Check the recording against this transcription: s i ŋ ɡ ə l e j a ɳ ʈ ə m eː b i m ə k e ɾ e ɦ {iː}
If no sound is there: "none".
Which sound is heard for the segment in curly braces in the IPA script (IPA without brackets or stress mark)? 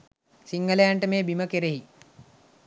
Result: i